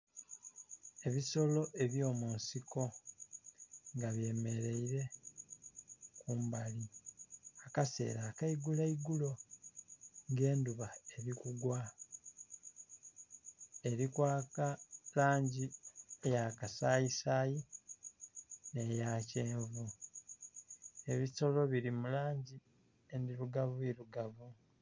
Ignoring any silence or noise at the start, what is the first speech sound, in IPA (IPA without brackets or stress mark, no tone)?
e̞